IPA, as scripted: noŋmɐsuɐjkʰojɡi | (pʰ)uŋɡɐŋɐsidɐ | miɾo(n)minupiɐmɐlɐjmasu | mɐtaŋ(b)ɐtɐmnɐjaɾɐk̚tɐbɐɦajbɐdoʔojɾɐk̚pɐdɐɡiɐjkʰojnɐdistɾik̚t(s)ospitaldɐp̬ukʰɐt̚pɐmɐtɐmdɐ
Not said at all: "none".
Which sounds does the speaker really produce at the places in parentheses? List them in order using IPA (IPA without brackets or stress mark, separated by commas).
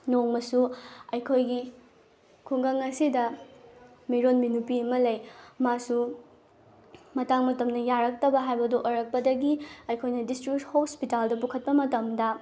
kʰ, n, m, h